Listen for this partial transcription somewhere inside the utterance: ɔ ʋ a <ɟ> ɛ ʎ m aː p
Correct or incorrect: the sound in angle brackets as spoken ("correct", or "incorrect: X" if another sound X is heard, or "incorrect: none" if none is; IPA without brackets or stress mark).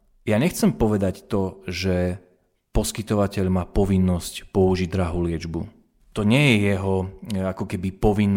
incorrect: c